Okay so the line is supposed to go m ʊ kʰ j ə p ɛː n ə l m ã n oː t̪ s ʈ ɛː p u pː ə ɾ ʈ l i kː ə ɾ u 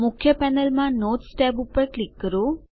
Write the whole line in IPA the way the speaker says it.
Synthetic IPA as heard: m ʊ kʰ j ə p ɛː n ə l m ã n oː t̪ s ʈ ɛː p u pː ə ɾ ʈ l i kː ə ɾ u